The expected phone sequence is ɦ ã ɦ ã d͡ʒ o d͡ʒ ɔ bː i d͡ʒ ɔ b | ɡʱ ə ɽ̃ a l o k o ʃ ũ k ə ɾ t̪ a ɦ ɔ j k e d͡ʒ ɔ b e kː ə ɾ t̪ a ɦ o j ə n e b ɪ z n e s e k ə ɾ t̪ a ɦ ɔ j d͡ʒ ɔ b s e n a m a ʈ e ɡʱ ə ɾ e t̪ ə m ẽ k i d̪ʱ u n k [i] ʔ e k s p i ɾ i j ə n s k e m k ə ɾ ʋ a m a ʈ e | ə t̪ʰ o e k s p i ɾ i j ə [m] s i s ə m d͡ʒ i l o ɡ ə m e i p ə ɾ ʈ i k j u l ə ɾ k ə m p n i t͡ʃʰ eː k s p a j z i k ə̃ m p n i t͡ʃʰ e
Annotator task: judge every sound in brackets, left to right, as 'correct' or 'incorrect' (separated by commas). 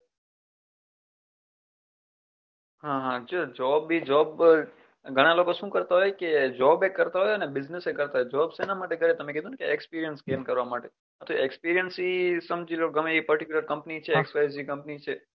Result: incorrect, incorrect